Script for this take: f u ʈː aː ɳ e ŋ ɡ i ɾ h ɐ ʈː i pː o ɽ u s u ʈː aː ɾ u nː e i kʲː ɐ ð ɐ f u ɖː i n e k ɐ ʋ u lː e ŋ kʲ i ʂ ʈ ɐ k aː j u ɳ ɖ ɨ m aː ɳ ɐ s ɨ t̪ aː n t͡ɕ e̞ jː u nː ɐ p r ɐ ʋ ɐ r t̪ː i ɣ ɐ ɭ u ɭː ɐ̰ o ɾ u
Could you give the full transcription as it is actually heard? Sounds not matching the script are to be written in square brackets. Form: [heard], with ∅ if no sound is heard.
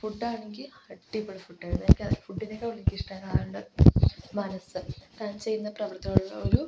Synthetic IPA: f u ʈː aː ɳ e ŋ ɡ i [l] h ɐ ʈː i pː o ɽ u [f] u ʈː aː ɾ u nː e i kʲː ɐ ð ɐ f u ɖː i n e k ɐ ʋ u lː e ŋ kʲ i ʂ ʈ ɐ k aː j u ɳ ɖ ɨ m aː [n] ɐ s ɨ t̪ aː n t͡ɕ e̞ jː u nː ɐ p r ɐ ʋ ɐ r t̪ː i ɣ ɐ ɭ u ɭː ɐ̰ o ɾ u